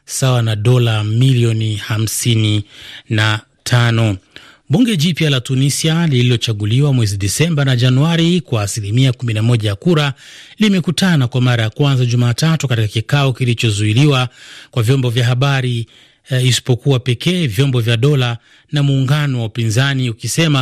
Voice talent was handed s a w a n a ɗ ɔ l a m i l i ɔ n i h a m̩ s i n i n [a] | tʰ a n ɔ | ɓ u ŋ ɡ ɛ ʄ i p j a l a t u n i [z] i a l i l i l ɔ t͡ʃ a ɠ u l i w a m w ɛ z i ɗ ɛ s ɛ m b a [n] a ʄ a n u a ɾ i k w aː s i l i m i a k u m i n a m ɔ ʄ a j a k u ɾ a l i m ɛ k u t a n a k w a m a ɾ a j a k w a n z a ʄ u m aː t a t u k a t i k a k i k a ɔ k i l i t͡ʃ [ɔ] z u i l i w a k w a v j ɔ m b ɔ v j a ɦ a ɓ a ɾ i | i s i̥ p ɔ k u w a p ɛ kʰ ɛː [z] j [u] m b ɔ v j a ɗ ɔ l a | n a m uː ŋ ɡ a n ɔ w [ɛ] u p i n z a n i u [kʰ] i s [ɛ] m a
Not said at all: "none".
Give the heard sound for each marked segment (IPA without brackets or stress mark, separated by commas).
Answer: a, s, n, ɔ, v, ɔ, a, k, ɛ